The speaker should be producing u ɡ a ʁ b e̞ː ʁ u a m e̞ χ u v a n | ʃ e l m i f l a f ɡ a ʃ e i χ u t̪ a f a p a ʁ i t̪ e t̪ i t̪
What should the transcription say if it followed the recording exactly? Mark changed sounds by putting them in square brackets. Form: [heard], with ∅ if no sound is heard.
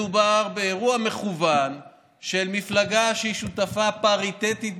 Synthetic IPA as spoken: u [b] a ʁ b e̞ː ʁ u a m e̞ χ u v a n | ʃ e l m i f l a [∅] ɡ a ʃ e i [ʃ] u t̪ a f a p a ʁ i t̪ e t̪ i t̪